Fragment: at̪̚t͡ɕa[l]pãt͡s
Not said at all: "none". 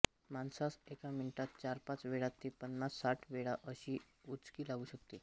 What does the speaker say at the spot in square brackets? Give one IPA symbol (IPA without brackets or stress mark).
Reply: ɾ